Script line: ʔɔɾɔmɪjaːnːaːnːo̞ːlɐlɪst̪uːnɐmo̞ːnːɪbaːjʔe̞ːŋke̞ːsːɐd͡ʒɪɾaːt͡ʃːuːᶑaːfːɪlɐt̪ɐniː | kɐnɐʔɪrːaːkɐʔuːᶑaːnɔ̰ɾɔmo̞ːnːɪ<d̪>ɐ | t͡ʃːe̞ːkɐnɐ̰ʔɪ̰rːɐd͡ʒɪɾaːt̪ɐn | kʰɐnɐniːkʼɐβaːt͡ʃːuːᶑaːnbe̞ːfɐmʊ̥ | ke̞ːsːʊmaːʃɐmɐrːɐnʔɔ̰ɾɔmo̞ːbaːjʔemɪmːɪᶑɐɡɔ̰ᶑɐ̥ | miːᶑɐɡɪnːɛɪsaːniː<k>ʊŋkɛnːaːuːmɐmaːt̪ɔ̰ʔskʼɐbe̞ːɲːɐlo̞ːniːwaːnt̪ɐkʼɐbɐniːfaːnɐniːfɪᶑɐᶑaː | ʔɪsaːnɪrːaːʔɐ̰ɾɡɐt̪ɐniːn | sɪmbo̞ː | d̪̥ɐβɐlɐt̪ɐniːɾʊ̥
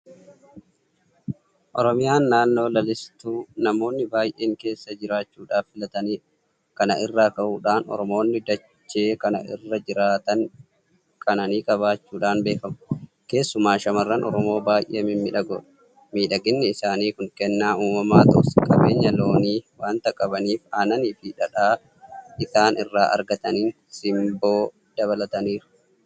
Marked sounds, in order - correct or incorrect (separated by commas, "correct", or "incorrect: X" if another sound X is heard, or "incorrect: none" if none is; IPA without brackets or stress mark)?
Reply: correct, correct